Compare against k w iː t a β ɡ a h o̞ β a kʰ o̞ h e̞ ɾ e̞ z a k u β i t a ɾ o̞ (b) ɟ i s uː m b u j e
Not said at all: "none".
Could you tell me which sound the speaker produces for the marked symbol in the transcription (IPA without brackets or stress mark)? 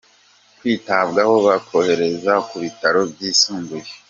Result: b